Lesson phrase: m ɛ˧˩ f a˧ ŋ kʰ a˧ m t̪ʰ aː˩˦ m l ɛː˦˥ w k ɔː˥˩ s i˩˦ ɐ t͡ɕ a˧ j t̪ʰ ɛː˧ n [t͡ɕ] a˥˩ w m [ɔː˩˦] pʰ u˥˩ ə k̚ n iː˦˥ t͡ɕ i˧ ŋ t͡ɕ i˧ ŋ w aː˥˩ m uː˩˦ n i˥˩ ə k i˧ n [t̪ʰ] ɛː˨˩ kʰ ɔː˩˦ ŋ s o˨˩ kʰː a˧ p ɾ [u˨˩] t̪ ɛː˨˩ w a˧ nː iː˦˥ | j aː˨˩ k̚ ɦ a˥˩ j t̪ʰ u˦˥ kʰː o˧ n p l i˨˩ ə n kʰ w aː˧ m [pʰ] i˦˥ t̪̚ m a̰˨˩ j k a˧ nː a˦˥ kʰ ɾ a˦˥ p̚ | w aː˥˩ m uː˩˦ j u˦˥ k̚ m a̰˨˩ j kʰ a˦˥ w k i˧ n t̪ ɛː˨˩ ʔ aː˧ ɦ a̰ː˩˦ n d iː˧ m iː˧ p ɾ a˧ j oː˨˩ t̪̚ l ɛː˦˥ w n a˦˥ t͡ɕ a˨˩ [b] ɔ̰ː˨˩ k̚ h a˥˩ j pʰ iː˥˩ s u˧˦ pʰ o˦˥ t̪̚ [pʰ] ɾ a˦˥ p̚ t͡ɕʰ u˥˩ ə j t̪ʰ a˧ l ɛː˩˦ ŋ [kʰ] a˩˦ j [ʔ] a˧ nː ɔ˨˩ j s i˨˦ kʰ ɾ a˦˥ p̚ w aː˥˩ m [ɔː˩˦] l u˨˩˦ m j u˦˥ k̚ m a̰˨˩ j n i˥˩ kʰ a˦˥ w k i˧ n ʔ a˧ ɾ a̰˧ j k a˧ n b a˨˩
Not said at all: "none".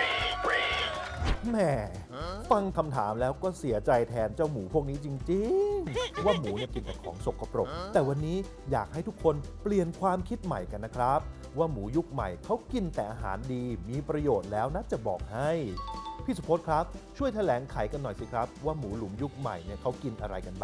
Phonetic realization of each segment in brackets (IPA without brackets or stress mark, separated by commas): t͡ɕ, uː˩˦, t̪, o˨˩, kʰ, b, kʰ, kʰ, k, uː˩˦